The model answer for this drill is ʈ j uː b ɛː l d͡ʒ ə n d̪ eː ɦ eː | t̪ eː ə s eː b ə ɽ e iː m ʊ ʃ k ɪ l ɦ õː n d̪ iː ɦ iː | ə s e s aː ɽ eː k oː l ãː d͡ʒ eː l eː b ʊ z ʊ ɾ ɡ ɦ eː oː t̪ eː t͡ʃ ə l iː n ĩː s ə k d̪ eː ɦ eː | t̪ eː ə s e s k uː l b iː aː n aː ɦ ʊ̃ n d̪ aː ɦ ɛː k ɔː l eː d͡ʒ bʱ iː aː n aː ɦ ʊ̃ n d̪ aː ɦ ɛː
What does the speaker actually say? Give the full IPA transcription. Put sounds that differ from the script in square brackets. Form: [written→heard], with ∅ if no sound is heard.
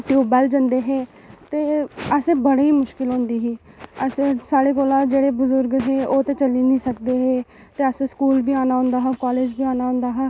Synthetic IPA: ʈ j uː b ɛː l d͡ʒ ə n d̪ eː ɦ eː | t̪ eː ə s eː b ə ɽ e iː m ʊ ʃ k ɪ l ɦ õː n d̪ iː ɦ iː | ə s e s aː ɽ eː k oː l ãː d͡ʒ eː [l→ɽ] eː b ʊ z ʊ ɾ ɡ ɦ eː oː t̪ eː t͡ʃ ə l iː n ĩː s ə k d̪ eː ɦ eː | t̪ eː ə s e s k uː l b iː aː n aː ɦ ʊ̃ n d̪ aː ɦ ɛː k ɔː l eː d͡ʒ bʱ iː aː n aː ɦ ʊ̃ n d̪ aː ɦ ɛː